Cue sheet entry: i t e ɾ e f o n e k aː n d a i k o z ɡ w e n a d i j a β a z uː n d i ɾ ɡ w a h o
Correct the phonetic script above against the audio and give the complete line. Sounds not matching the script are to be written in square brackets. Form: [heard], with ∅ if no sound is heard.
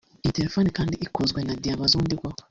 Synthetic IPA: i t e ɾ e f o n [i] k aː n d [i] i k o z ɡ w e n a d i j a β a z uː n d i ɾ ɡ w a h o